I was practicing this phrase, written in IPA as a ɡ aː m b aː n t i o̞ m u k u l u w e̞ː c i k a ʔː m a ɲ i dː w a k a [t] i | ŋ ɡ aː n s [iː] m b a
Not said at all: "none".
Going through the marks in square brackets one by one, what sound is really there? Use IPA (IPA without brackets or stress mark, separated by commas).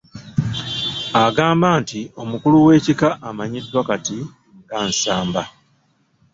t, aː